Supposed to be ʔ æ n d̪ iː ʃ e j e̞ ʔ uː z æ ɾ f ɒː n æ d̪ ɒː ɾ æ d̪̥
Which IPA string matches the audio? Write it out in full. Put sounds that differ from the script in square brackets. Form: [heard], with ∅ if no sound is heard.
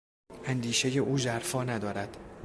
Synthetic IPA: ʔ æ n d̪ iː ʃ e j e̞ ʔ uː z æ ɾ f ɒː n æ d̪ ɒː ɾ æ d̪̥